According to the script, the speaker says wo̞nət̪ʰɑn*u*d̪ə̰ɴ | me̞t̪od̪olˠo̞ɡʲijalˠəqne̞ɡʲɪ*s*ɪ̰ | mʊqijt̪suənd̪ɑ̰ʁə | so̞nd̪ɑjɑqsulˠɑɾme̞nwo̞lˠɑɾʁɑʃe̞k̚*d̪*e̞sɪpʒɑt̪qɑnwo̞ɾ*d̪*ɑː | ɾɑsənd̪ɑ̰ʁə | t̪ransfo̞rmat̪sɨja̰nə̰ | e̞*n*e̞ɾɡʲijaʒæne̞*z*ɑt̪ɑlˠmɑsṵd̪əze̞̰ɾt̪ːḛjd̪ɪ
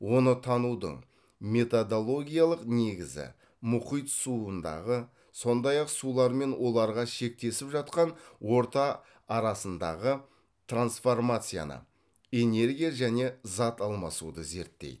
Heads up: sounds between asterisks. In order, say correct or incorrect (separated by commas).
correct, incorrect, incorrect, incorrect, correct, correct